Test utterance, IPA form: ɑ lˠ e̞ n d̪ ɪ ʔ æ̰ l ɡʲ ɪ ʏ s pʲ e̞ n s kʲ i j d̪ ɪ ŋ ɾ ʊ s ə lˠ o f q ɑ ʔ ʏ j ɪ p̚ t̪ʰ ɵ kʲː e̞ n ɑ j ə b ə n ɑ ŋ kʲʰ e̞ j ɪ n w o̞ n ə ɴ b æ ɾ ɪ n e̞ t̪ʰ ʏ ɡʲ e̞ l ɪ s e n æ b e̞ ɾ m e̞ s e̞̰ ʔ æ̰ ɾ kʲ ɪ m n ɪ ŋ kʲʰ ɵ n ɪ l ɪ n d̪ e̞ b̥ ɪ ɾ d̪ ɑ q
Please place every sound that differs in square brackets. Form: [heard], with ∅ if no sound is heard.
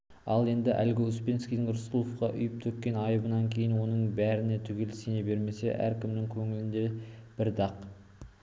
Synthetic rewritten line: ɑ lˠ e̞ n d̪ ɪ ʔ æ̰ l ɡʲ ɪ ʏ s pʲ e̞ n s kʲ i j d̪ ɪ ŋ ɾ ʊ s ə lˠ o f q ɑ ʔ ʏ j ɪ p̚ t̪ʰ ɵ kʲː e̞ n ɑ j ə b ə n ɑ ŋ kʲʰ e̞ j ɪ n w o̞ n ə ɴ b æ ɾ ɪ n e̞ t̪ʰ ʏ ɡʲ e̞ l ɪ s e n [e] b e̞ ɾ m e̞ s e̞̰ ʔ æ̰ ɾ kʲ ɪ m n ɪ ŋ kʲʰ ɵ [ŋ] ɪ l ɪ n d̪ e̞ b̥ ɪ ɾ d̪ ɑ q